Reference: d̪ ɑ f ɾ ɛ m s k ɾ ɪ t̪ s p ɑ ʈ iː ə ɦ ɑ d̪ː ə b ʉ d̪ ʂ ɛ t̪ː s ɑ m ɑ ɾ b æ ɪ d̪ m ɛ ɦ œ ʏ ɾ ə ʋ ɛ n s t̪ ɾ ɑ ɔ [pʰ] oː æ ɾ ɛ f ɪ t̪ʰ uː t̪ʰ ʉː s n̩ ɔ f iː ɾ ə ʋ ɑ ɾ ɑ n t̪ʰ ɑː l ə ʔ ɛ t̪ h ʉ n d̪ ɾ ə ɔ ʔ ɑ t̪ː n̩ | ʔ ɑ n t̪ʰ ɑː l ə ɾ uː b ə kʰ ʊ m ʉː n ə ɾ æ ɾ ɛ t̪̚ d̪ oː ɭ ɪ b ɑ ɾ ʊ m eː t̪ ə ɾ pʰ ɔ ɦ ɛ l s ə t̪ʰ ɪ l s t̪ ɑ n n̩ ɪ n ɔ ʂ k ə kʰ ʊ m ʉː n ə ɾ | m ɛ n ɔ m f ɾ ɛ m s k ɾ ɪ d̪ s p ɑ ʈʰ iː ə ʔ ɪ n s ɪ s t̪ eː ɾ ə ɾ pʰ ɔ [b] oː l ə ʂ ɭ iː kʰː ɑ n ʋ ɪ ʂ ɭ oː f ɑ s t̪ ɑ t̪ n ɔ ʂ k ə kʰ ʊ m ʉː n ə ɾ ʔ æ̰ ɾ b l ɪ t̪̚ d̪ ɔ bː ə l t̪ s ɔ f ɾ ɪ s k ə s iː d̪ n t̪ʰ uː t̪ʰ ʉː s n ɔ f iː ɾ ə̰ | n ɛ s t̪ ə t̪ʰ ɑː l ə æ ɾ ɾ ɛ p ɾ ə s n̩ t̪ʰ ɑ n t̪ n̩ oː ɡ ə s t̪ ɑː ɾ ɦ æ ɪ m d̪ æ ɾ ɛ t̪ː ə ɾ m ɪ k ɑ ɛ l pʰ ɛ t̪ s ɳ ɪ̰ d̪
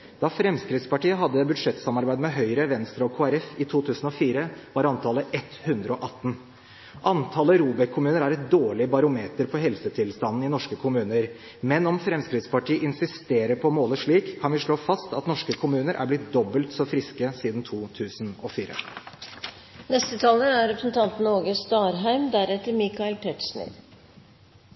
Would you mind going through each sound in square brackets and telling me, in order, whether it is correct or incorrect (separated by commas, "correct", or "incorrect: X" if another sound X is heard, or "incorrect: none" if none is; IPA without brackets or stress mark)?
incorrect: kʰ, incorrect: m